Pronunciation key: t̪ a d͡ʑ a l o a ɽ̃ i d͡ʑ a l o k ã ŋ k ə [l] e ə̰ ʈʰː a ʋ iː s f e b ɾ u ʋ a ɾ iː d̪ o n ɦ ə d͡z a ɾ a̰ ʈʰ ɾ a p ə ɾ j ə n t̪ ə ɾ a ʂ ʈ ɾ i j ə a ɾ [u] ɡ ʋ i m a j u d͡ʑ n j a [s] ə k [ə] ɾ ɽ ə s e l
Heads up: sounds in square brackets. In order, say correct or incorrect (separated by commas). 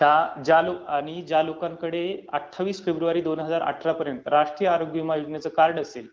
incorrect, incorrect, incorrect, incorrect